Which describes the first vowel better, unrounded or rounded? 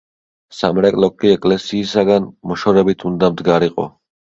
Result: unrounded